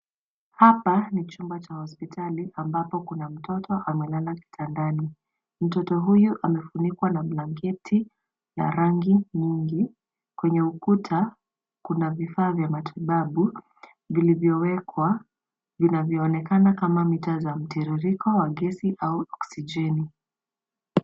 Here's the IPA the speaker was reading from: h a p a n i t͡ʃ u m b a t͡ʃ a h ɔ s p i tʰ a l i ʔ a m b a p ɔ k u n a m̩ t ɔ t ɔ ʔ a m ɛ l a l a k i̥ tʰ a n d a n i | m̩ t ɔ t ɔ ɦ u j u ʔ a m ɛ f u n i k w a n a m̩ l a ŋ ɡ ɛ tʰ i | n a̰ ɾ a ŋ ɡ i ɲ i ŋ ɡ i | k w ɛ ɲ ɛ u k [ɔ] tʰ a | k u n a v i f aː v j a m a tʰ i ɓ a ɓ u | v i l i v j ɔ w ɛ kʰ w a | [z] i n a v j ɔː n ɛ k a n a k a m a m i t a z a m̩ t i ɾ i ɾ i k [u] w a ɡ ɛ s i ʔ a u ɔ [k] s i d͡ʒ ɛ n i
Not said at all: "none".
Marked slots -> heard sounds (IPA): u, v, ɔ, k

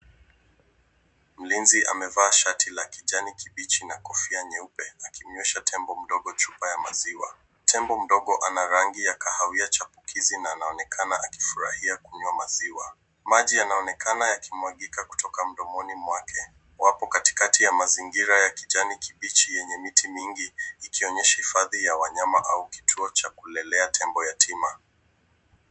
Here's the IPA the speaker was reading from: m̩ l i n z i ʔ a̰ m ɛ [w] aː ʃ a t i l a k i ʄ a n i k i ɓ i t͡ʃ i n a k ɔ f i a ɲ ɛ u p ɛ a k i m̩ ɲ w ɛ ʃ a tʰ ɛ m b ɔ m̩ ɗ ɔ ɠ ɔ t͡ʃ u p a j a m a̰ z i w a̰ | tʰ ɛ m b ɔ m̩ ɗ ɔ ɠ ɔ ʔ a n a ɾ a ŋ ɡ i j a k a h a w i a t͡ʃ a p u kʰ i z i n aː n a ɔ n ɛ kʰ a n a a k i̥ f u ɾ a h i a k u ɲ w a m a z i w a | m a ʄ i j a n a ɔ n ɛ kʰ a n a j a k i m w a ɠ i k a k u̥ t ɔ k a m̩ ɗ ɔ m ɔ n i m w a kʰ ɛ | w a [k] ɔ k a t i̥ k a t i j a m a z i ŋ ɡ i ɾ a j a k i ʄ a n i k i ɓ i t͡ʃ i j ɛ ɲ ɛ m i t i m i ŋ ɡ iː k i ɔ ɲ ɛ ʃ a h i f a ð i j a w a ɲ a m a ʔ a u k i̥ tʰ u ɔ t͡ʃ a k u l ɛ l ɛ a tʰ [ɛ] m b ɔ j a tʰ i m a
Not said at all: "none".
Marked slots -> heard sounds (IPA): v, p, ɛ

